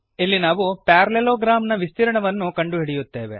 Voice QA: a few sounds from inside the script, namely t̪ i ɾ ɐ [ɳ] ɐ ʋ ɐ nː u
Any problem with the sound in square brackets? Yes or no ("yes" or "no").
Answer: no